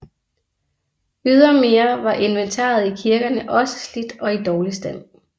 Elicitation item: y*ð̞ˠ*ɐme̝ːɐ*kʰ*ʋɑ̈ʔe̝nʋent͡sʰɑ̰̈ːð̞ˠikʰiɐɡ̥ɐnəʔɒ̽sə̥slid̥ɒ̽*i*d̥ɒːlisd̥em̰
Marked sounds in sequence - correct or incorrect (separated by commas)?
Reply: correct, incorrect, correct